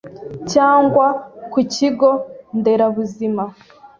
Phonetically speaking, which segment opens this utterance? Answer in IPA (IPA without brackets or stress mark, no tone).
c